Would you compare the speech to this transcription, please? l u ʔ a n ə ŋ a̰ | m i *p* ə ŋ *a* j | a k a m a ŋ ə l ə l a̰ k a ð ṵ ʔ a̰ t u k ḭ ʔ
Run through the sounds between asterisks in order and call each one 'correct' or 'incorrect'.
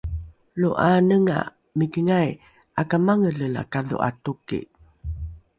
incorrect: k, correct

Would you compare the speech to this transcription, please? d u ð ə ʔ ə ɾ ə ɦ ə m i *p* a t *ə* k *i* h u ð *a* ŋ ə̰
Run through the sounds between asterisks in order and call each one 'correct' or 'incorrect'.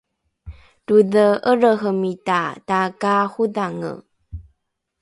incorrect: t, incorrect: a, incorrect: a, correct

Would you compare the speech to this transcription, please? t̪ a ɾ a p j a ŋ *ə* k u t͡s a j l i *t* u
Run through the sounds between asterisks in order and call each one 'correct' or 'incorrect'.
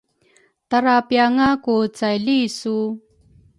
incorrect: a, incorrect: s

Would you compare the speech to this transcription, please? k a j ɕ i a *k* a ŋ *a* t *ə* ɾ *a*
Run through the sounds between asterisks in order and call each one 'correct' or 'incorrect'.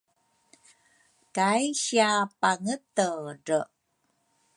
incorrect: p, incorrect: ə, correct, incorrect: ə

